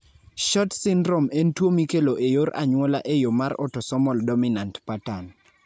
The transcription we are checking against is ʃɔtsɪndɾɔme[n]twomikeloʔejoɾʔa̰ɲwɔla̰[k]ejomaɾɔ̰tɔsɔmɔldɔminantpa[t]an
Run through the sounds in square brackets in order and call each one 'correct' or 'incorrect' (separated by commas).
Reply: correct, incorrect, correct